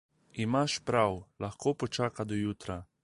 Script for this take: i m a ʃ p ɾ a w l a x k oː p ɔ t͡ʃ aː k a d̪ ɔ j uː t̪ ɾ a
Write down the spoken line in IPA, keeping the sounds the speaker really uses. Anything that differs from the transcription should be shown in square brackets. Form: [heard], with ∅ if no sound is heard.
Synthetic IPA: i m a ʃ p ɾ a w l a x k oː p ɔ t͡ʃ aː k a d̪ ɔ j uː t̪ ɾ a